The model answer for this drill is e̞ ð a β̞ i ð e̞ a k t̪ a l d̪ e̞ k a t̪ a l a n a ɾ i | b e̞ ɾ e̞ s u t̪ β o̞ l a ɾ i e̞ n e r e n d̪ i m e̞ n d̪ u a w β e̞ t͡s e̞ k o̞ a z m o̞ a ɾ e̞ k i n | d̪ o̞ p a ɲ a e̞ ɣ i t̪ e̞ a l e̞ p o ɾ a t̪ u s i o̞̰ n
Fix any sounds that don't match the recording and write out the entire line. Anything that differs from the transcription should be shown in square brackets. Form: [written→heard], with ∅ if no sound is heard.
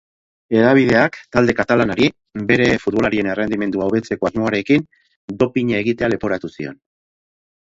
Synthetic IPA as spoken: e̞ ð a β̞ i ð e̞ a k t̪ a l d̪ e̞ k a t̪ a l a n a ɾ i | b e̞ ɾ e̞ [s→f] u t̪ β o̞ l a ɾ i e̞ n e r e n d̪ i m e̞ n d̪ u a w β e̞ t͡s e̞ k o̞ a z m o̞ a ɾ e̞ k i n | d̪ o̞ p [a→i] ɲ a e̞ ɣ i t̪ e̞ a l e̞ p o ɾ a t̪ u s i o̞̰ n